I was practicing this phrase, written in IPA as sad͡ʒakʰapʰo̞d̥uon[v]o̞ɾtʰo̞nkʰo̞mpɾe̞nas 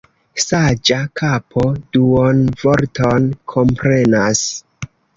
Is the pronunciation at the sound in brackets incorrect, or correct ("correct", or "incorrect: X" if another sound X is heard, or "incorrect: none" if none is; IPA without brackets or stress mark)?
correct